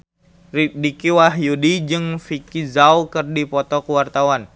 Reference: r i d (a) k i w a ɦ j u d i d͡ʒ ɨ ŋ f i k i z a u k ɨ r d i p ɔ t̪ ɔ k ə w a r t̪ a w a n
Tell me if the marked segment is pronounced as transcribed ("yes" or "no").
no